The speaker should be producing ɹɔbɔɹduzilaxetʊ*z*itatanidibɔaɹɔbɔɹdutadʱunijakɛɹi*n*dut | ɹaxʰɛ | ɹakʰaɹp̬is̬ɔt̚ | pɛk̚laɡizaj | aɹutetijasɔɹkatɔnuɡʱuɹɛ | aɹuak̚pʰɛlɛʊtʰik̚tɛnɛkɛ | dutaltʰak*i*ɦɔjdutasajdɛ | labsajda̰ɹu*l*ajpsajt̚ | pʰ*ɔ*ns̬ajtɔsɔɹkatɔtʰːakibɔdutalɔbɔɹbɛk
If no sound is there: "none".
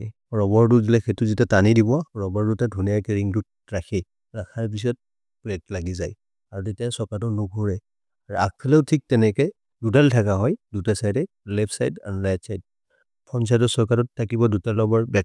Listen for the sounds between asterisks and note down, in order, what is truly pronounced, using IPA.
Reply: z, ŋ, a, l, ɔ

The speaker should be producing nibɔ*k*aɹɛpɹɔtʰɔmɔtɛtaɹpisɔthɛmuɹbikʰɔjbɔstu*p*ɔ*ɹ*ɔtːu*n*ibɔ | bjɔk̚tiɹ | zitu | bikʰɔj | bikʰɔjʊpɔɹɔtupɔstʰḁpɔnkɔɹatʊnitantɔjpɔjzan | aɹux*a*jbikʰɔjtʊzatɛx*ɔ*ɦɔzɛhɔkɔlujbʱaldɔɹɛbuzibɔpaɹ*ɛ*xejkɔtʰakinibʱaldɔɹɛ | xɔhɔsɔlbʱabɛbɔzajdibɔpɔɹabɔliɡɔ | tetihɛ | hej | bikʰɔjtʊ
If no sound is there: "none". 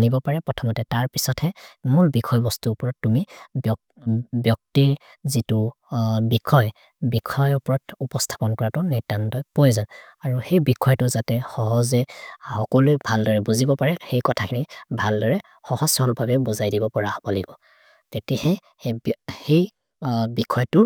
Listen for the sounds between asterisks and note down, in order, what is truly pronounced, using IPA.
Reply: p, p, ɹ, m, e, ɔ, ɛ

